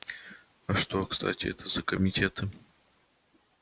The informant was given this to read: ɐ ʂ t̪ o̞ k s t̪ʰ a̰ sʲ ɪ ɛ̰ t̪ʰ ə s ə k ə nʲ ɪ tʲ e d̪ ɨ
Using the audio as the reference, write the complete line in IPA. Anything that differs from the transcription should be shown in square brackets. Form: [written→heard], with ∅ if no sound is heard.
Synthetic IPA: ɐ ʂ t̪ o̞ k s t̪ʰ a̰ [sʲ→tʲ] ɪ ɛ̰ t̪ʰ ə [s→z] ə k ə [nʲ→mʲ] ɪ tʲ e [d̪→t̪] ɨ